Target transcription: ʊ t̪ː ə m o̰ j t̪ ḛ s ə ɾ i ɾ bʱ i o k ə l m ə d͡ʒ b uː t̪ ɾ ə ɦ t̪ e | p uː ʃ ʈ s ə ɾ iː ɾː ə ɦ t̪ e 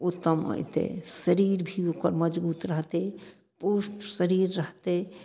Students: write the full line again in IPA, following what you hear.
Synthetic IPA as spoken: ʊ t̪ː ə m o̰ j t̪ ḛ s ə ɾ i ɾ bʱ i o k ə ɾ m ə d͡ʒ b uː t̪ ɾ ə ɦ t̪ e | p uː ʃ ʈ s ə ɾ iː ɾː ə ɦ t̪ e

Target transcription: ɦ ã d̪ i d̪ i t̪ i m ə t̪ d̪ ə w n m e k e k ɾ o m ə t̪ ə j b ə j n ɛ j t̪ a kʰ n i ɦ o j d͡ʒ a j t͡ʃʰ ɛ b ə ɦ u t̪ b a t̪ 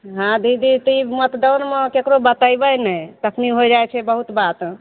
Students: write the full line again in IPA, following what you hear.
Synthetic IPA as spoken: ɦ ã d̪ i d̪ i t̪ i m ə t̪ d̪ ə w n m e k e k ɾ o b ə t̪ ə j b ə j n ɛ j t̪ ə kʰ n i ɦ o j d͡ʒ a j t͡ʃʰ ɛ b ə ɦ u t̪ b a t̪

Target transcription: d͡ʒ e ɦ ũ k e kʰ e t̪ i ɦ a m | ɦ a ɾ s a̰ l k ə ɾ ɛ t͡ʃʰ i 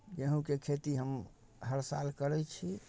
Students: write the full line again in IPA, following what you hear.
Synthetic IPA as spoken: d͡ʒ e ɦ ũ k e kʰ e t̪ i ɦ ə m | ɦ ə ɾ s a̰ l k ə ɾ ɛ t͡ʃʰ i

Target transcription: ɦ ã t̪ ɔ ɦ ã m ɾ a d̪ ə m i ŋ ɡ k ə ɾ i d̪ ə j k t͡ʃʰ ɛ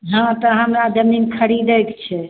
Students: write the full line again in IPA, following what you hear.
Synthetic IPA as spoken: ɦ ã t̪ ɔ ɦ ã m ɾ a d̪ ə m i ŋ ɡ kʰ ə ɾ i d̪ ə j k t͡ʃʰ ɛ

